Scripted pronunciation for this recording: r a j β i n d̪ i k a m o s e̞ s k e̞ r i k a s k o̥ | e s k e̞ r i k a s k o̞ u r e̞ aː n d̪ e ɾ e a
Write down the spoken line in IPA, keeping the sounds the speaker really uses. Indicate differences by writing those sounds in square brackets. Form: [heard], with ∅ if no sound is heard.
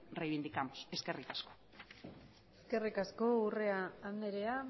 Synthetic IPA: r [e] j β i n d̪ i k a m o s e̞ s k e̞ r i k a s k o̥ | e s k e̞ r i k a s k o̞ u r e̞ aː n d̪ e ɾ e a